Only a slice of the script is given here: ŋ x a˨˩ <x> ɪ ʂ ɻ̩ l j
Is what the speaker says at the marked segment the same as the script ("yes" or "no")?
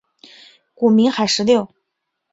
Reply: no